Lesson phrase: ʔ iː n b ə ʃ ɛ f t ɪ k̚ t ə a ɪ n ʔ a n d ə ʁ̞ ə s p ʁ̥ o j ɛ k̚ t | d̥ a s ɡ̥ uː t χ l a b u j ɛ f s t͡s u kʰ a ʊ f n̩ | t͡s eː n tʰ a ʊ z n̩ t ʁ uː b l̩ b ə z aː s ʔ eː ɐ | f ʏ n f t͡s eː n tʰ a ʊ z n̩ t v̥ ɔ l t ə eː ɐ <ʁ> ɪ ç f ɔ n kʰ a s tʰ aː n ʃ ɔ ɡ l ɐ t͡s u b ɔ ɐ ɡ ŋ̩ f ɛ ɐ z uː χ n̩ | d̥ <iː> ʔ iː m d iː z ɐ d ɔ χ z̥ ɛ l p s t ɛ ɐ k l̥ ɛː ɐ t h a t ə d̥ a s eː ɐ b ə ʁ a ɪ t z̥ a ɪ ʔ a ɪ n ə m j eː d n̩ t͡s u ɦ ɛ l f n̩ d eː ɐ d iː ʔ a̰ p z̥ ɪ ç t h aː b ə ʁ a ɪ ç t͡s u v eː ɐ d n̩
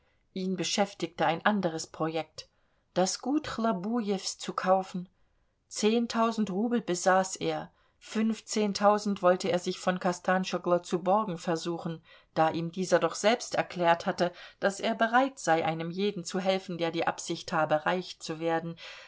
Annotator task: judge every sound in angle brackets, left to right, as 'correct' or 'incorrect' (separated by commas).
incorrect, incorrect